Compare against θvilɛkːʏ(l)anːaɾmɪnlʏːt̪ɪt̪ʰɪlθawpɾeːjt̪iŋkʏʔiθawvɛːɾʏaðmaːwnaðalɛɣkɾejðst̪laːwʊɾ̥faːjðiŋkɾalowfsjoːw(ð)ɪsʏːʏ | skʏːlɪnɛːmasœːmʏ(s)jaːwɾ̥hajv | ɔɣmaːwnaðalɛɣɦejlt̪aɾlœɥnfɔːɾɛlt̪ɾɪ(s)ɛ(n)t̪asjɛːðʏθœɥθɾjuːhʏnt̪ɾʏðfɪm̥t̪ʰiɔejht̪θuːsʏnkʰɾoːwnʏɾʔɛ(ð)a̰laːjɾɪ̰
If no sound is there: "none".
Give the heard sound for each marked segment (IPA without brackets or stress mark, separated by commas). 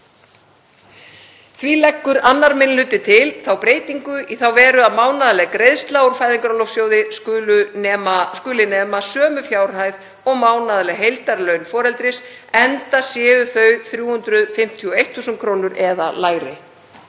ɾ, ð, f, s, n, ð